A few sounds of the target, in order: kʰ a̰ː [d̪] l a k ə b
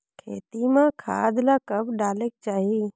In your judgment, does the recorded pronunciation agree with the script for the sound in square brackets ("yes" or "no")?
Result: yes